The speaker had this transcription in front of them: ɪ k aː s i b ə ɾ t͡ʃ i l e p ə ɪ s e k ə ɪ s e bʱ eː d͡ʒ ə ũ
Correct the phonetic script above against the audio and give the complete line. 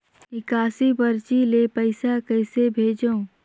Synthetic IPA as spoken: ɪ k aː s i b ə ɾ t͡ʃ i l e p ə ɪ s a k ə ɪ s e bʱ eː d͡ʒ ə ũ